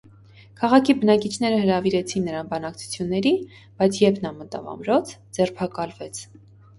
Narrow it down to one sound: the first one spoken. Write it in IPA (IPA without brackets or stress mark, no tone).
kʰ